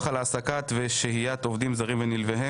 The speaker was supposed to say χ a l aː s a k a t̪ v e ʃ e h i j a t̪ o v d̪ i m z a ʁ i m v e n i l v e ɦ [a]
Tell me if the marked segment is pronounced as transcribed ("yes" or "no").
no